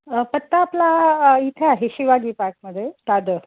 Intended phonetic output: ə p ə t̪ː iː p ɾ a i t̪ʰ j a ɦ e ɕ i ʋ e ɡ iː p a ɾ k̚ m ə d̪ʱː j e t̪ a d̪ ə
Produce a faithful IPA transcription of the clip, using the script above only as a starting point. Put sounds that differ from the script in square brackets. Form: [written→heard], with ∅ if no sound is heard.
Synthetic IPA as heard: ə p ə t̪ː [iː→aː] p [ɾ→l] a i t̪ʰ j a ɦ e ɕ i ʋ [e→a] ɡ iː p a ɾ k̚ m ə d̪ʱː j e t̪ a d̪ ə